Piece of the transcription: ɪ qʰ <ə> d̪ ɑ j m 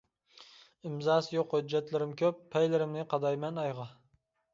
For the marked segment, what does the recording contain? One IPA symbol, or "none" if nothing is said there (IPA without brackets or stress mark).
ɑ